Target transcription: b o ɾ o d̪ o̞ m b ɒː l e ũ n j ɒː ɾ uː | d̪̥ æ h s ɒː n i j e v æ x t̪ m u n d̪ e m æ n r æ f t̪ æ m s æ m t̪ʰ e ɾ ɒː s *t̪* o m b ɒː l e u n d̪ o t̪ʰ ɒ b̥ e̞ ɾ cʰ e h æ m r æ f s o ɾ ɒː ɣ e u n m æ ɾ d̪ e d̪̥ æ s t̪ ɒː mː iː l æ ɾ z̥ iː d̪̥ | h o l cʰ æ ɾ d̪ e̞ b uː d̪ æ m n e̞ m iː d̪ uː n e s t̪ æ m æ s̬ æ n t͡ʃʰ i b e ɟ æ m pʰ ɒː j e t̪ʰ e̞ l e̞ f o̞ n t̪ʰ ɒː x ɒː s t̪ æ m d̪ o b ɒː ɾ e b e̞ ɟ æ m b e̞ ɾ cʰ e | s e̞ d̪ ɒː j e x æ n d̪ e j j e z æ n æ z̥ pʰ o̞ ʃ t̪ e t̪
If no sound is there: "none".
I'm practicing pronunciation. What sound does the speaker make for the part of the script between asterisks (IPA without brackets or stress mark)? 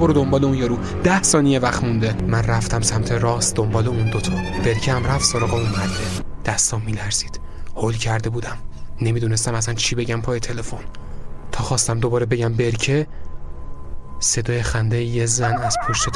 d̪